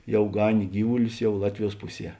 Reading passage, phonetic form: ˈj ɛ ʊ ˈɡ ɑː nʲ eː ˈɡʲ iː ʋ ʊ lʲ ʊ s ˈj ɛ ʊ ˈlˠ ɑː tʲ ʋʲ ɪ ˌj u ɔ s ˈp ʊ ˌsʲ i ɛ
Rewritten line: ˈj ɛ ʊ ˈɡ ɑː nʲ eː ˈɡʲ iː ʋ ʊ lʲ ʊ s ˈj ɛ ʊ ˈlˠ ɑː tʲ ʋʲ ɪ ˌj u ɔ s ˈp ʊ ˌsʲ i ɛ